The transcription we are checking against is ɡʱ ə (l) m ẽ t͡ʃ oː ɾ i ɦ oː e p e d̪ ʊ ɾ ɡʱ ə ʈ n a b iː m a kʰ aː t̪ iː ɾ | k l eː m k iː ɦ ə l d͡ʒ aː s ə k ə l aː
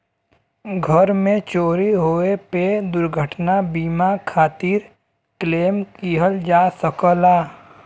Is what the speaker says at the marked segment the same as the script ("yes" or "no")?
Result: no